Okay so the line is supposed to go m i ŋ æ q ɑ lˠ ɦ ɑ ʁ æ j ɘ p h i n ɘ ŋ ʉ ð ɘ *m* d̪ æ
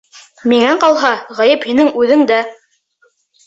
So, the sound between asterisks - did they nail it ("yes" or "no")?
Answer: no